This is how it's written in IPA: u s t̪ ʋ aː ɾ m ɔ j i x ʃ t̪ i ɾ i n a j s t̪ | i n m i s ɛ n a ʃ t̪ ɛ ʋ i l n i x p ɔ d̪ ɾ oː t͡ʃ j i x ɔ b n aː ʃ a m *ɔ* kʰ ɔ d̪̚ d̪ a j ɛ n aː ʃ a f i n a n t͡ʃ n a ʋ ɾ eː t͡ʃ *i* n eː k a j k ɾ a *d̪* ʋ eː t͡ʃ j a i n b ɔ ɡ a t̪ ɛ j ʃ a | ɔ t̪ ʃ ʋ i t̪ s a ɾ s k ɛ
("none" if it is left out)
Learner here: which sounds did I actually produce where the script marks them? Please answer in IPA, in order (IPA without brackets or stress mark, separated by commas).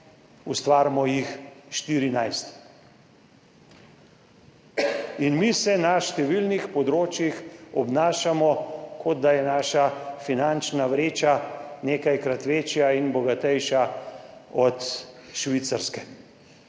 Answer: ɔ, a, t̪